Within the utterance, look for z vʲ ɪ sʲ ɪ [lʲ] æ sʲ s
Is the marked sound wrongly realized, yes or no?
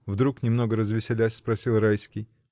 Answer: no